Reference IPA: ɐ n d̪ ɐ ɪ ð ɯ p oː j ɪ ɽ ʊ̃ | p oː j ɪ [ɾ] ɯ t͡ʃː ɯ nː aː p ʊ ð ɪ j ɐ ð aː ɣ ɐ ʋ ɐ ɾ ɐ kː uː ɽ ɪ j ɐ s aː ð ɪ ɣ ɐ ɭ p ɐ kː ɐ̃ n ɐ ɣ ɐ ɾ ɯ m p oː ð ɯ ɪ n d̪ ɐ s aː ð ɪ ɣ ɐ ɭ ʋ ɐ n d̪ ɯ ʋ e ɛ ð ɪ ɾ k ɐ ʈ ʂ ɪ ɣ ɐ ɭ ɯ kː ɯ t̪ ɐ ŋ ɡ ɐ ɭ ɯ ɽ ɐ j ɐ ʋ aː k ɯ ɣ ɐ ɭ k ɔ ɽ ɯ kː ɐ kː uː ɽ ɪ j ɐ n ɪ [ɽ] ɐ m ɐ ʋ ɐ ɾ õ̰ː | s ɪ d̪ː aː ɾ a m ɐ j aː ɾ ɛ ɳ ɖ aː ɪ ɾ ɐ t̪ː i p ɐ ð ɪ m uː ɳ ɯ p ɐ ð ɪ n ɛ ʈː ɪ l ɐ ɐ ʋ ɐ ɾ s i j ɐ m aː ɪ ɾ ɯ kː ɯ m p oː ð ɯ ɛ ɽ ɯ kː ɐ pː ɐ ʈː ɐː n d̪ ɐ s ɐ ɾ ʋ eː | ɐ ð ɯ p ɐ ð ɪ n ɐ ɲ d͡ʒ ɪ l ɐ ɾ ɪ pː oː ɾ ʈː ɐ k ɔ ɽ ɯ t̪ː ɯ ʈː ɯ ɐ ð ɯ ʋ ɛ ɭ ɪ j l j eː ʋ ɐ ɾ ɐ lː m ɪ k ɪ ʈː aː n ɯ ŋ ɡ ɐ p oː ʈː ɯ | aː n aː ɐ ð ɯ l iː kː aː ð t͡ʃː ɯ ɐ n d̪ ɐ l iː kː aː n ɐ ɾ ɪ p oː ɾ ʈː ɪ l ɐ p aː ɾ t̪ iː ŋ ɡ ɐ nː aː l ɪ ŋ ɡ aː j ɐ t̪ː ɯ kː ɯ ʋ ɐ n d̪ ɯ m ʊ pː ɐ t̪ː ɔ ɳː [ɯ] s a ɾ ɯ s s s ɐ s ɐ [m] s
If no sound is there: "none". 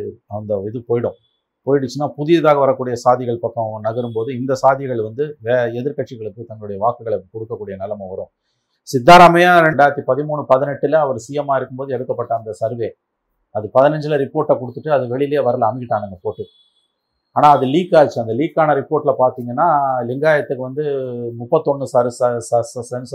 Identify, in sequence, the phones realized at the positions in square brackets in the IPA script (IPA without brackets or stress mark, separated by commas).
ɽ, l, ɯ, n